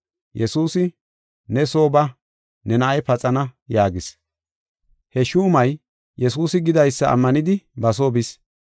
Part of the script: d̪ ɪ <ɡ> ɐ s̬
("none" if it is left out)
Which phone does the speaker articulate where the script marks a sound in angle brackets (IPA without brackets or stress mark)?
b